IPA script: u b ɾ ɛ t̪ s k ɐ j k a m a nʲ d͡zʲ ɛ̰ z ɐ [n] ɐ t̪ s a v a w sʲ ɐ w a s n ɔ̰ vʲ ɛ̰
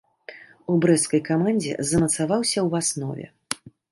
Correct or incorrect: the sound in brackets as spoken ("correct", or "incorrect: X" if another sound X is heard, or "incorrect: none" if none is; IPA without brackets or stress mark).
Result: incorrect: m